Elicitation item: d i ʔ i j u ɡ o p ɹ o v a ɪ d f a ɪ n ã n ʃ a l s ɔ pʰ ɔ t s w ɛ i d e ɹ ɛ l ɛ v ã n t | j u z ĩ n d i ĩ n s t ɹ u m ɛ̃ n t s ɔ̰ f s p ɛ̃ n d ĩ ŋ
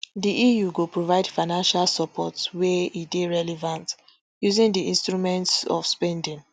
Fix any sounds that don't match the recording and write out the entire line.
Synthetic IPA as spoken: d i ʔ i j u ɡ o p ɹ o v a ɪ d f a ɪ n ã n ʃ a l s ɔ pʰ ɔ t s w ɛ i d e ɹ ɛ l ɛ v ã n t | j u z ĩ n d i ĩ n s t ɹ u m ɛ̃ n t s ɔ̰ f s p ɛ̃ n d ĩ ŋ

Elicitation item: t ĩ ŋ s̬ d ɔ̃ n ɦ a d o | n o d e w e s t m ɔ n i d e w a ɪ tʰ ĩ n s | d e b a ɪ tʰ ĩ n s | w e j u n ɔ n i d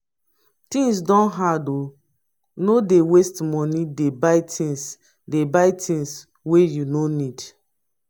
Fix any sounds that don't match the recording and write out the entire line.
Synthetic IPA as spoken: t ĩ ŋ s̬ d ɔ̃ n ɦ a d o | n o d e w e s t m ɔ n i d e b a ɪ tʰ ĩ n s | d e b a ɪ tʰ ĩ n s | w e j u n o n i d

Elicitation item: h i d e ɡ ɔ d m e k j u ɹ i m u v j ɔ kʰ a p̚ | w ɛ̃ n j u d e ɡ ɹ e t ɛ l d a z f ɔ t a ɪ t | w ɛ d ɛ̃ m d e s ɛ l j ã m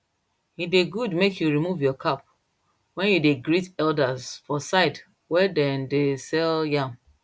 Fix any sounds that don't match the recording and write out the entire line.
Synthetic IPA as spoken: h i d e ɡ u d m e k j u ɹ i m u v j ɔ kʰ a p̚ | w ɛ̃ n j u d e ɡ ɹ i t ɛ l d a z f ɔ s a ɪ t | w ɛ d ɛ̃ n d e s ɛ l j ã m

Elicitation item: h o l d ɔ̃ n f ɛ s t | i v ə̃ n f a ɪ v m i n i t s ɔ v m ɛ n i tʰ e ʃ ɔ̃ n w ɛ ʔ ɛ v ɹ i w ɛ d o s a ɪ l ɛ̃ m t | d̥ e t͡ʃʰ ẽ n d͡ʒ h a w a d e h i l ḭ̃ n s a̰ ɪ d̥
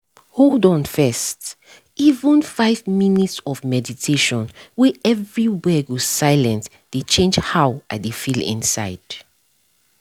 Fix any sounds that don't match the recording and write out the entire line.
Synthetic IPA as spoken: h o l d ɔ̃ n f ɛ s t | i v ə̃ n f a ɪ v m i n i t s ɔ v m ɛ d i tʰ e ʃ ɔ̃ n w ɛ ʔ ɛ v ɹ i w ɛ ɡ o s a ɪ l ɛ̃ n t | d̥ e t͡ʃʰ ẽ n d͡ʒ h a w a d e f i l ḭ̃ n s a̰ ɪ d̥

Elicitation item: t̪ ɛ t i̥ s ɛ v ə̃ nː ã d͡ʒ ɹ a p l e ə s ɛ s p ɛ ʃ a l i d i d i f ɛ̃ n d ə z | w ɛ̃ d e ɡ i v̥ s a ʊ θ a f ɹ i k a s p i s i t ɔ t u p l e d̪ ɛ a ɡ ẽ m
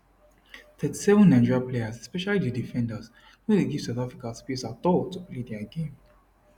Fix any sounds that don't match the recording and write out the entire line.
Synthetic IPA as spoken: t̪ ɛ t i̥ s ɛ v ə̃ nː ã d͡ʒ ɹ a p l e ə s ɛ s p ɛ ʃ a l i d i d i f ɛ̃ n d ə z | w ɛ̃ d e ɡ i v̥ s a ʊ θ a f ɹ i k a s p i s a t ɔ t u p l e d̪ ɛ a ɡ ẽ m

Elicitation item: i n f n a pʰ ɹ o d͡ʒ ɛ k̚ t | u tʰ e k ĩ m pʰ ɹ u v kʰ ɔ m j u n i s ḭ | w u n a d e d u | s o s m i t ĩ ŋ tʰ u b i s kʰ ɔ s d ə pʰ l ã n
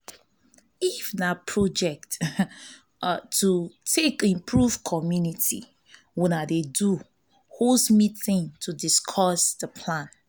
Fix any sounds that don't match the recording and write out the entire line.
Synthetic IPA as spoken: i f n a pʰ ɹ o d͡ʒ ɛ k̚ t | u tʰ e k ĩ m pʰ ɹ u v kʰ ɔ m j u n i t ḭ | w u n a d e d u | h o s m i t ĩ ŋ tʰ u d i s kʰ ɔ s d ə pʰ l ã n

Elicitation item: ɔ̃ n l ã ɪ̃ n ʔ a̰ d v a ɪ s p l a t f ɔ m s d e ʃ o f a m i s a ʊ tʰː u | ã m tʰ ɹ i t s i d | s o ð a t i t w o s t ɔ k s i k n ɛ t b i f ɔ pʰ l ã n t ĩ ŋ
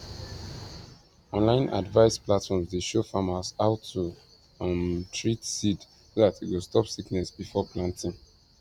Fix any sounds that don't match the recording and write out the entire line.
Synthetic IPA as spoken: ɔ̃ n l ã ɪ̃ n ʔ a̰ d v a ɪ s p l a t f ɔ m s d e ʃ o f a m a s a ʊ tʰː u | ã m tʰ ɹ i t s i d | s o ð a t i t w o s t ɔ p s i k n ɛ s b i f ɔ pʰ l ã n t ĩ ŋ

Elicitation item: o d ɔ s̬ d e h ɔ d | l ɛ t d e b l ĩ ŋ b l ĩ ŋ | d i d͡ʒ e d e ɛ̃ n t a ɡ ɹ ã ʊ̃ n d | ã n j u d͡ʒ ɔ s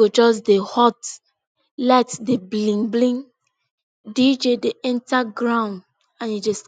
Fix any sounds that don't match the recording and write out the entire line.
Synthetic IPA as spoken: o d͡ʒ ɔ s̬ d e h ɔ t | l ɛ t d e b l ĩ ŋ b l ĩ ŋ | d i d͡ʒ e d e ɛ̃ n t a ɡ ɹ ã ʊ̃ n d | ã n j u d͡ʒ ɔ s

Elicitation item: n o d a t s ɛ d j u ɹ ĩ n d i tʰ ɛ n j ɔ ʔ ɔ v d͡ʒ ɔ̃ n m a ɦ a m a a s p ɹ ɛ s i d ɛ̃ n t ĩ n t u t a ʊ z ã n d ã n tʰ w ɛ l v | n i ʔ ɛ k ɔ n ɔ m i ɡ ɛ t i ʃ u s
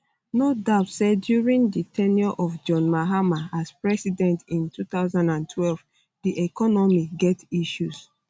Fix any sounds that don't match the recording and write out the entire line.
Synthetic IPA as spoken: n o d a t s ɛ d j u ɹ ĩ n d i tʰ ɛ n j ɔ ʔ ɔ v d͡ʒ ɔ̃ n m a ɦ a m a a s p ɹ ɛ s i d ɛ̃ n t ĩ n t u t a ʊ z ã n d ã n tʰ w ɛ l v | d i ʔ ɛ k ɔ n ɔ m i ɡ ɛ t i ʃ u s

